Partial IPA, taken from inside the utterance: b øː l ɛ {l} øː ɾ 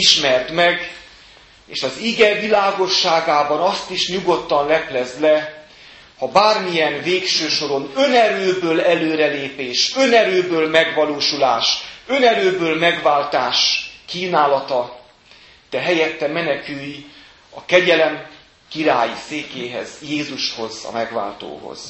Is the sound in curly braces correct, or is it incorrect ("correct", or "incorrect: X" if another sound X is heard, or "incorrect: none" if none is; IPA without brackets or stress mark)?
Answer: correct